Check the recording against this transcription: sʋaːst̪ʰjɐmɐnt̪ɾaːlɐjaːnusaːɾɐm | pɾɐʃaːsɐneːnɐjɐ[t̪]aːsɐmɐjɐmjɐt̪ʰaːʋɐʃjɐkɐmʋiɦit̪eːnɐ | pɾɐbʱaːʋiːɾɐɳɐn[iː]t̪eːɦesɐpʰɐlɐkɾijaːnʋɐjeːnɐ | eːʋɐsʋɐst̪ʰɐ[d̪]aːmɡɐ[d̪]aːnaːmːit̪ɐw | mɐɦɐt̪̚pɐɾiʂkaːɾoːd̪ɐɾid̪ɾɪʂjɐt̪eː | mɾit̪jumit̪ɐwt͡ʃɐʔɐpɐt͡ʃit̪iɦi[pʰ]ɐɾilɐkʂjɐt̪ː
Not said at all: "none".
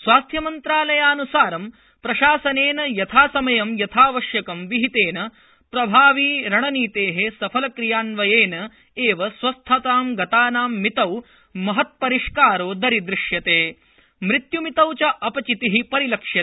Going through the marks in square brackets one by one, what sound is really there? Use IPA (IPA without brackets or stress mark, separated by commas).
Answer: t̪ʰ, iː, t̪, t̪, p